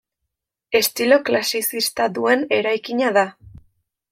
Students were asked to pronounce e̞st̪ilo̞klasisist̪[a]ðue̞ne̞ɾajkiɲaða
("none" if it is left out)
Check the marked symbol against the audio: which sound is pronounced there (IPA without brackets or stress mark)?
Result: a